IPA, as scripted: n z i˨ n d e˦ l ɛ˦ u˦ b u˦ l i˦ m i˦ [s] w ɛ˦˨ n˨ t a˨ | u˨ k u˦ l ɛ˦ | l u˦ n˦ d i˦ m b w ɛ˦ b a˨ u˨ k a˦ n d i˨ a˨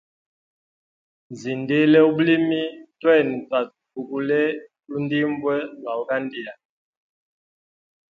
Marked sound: incorrect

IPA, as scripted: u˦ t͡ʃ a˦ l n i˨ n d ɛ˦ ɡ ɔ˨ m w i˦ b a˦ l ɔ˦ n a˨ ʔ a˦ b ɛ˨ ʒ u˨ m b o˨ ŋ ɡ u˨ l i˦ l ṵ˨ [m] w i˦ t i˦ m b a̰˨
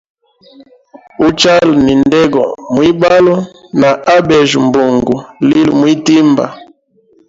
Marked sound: correct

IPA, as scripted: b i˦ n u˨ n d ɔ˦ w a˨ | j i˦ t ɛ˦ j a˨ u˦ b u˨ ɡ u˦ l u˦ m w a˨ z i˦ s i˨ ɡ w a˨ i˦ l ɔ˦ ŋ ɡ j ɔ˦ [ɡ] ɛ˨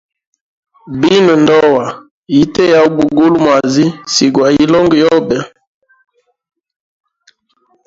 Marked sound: incorrect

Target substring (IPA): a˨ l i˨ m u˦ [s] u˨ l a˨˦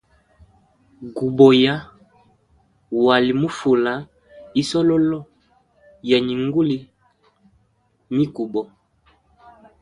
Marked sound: incorrect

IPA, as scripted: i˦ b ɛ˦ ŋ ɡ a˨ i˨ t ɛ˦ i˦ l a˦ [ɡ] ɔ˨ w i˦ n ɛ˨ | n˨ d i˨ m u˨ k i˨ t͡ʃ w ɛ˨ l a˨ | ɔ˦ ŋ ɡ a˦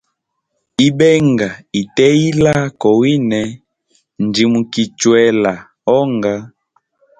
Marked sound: incorrect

